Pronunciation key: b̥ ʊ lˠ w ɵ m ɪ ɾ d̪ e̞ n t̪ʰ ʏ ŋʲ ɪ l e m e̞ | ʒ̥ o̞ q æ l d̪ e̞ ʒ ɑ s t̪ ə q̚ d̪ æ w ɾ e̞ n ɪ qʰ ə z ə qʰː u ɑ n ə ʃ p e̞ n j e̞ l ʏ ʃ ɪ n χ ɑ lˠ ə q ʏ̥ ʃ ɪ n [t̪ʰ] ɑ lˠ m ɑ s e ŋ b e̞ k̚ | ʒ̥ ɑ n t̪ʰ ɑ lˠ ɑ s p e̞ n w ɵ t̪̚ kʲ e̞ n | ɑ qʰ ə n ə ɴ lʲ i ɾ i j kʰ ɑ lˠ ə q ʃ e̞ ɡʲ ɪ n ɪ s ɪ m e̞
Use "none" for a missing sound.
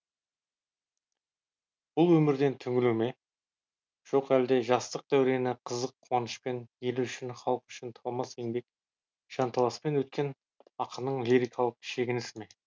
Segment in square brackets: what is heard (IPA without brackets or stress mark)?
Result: t̪ʰ